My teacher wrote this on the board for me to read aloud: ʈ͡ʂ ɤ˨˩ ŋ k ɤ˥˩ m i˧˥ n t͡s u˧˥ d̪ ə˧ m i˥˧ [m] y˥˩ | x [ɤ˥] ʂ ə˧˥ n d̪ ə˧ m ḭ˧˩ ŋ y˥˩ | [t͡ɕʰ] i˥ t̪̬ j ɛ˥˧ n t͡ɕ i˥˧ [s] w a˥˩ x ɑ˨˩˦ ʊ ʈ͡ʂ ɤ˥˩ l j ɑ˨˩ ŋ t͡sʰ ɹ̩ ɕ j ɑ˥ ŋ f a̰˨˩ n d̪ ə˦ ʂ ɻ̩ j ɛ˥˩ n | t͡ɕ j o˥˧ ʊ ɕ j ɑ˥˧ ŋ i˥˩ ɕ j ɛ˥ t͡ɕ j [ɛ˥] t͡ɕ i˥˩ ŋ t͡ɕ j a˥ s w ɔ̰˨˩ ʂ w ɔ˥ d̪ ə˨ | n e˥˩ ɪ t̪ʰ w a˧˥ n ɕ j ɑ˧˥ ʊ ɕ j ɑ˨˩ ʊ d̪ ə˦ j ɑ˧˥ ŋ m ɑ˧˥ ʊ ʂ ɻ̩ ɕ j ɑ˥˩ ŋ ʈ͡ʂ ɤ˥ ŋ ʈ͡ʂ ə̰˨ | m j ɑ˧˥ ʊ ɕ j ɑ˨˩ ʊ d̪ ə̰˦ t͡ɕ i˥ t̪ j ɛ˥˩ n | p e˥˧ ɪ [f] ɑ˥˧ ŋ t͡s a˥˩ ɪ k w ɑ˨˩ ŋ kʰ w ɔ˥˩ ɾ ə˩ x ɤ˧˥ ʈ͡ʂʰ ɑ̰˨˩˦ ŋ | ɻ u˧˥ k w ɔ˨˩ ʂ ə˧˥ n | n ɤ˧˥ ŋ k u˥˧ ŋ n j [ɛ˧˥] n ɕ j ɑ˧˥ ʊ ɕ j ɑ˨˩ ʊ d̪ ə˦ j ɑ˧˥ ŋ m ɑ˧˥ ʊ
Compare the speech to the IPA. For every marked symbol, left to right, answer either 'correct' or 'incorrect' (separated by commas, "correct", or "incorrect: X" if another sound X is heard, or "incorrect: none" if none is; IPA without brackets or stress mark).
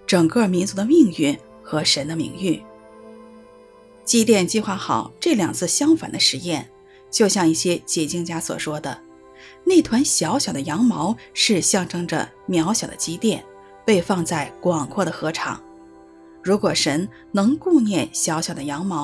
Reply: incorrect: ŋ, incorrect: ɤ˧˥, incorrect: t͡ɕ, incorrect: x, incorrect: ɛ˨˩, correct, incorrect: ɛ˥˩